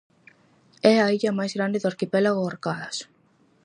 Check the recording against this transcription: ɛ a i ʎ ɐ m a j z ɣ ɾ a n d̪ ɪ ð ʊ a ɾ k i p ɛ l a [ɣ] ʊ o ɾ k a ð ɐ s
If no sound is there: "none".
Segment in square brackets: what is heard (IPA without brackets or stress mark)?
ɣ